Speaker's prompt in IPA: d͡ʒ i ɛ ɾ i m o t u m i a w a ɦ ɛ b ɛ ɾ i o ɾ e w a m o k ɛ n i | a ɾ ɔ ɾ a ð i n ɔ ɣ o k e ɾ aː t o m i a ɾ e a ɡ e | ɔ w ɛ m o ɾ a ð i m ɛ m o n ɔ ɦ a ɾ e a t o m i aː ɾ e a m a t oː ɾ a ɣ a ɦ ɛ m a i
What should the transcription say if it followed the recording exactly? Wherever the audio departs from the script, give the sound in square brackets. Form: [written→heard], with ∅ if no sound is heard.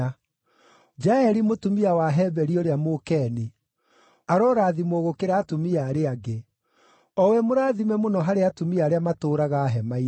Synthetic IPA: d͡ʒ [i→a] ɛ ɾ i m o t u m i a w a ɦ ɛ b ɛ ɾ i o ɾ e [w→∅] a m o k ɛ n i | a ɾ ɔ ɾ a ð i [n→m] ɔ ɣ o k e ɾ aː t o m i a ɾ e a ɡ e | ɔ w ɛ m o ɾ a ð i m ɛ m o n ɔ ɦ a ɾ e a t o m i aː ɾ e a m a t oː ɾ a ɣ a ɦ ɛ m a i